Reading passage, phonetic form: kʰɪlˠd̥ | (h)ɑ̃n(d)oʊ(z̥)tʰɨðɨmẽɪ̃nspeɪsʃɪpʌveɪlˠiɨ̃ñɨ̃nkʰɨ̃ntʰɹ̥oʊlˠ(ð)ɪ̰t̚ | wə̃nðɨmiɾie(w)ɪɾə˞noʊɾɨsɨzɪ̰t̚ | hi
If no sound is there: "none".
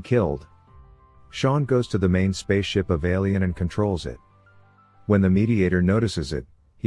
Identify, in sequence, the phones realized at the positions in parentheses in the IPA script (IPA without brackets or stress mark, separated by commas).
ʃ, ɡ, z̥, z, none